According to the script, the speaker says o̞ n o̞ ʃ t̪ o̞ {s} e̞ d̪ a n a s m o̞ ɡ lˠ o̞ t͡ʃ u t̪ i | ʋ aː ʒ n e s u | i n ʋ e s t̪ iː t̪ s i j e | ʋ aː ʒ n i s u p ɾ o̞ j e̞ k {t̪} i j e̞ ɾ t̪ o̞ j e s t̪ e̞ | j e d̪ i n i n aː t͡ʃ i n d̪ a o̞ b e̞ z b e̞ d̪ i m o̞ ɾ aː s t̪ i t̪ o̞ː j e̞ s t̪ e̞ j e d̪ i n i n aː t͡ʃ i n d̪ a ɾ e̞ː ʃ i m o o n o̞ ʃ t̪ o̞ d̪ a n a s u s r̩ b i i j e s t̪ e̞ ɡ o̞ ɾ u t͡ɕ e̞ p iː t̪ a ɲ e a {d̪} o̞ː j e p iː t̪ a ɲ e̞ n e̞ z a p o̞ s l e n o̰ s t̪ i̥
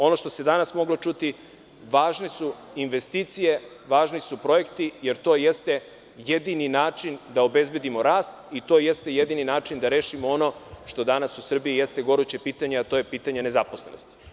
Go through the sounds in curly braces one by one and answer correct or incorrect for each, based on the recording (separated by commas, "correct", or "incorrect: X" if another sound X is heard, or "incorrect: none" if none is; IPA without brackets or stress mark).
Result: correct, correct, incorrect: t̪